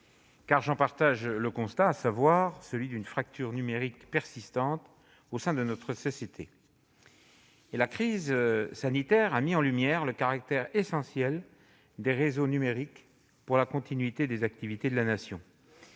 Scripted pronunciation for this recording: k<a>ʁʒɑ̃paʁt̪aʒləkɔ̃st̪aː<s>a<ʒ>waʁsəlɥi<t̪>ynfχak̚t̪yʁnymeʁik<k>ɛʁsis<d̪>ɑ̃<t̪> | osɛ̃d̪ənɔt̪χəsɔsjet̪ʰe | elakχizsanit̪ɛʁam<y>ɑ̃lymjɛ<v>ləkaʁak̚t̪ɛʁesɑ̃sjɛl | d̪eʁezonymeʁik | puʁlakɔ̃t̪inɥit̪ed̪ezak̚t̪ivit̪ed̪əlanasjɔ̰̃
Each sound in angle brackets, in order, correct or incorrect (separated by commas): correct, correct, incorrect, incorrect, incorrect, incorrect, correct, incorrect, incorrect